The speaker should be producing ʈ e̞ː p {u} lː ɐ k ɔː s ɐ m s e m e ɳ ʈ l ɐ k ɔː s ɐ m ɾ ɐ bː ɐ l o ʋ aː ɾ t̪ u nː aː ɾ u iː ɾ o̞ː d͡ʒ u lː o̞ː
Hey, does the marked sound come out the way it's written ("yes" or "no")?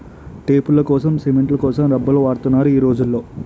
yes